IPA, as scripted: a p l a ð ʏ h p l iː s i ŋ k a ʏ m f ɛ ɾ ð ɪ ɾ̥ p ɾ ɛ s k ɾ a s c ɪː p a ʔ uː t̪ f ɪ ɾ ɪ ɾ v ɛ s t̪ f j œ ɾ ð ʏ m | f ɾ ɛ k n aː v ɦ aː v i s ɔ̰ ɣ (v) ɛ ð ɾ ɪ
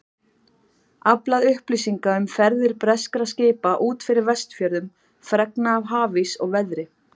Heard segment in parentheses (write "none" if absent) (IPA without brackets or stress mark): v